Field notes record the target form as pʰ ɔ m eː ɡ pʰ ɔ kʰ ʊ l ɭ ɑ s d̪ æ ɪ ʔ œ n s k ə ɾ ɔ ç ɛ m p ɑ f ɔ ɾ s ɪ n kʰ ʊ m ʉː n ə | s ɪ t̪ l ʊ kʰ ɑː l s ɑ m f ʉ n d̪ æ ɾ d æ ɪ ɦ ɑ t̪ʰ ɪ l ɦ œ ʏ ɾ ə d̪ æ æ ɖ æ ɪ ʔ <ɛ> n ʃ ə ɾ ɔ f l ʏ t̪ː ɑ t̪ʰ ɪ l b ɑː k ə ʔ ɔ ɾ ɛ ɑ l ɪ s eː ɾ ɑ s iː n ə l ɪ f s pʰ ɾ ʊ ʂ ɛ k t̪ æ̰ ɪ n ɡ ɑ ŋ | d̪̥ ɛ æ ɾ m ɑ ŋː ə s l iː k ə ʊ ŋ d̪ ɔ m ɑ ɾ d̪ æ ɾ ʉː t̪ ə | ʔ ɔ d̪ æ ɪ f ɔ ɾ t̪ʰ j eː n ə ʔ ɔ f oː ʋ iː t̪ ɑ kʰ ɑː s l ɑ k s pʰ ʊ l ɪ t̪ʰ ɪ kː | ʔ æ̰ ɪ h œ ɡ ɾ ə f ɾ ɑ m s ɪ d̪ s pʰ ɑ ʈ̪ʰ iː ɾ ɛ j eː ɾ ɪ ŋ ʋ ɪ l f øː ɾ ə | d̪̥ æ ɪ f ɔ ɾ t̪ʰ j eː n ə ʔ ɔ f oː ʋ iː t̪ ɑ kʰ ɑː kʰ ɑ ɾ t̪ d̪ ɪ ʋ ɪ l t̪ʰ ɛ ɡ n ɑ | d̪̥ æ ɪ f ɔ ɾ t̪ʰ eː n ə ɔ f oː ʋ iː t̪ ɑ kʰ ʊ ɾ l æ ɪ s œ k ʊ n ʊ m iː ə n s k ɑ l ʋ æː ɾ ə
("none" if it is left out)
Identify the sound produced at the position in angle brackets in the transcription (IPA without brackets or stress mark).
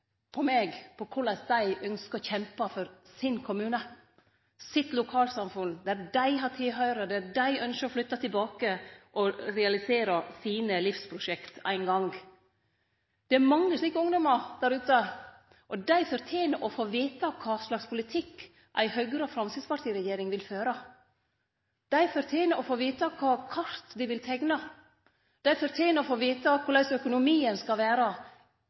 œ